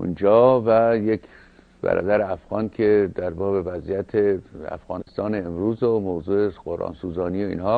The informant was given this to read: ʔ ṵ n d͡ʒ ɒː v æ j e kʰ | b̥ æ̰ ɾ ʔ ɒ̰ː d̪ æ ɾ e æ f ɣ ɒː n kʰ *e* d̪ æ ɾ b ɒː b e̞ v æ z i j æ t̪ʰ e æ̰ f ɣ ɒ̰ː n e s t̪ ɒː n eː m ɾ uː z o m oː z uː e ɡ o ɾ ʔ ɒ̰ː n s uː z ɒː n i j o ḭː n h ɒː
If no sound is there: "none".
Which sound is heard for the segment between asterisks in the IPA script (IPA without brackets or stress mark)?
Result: e